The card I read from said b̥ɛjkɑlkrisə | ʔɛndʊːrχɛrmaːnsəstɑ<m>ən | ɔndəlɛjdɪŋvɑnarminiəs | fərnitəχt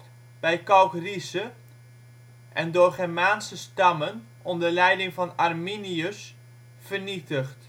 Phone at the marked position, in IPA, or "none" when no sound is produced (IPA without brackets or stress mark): m